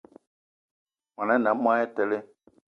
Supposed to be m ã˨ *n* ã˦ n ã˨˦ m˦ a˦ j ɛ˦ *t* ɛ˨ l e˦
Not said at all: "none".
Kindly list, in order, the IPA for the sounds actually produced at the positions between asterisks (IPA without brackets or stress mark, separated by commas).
n, t